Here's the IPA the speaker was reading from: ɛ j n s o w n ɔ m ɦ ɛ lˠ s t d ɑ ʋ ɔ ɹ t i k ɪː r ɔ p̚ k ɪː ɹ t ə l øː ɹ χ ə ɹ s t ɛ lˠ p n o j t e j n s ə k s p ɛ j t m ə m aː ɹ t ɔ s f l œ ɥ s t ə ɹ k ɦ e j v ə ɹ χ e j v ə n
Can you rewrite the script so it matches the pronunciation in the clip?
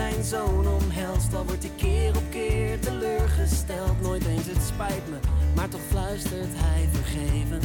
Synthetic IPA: ɛ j n z o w n ɔ m ɦ ɛ lˠ s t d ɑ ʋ ɔ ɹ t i k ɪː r ɔ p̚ k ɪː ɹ t ə l øː ɹ χ ə s t ɛ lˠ t n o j t e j n s ə t s p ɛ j t m ə m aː ɹ t ɔ χ f l œ ɥ s t ə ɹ t ɦ ɛ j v ə ɹ χ e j v ə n